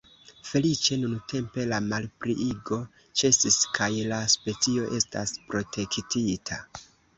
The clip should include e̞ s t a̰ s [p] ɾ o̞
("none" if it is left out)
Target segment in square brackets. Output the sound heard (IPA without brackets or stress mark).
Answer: p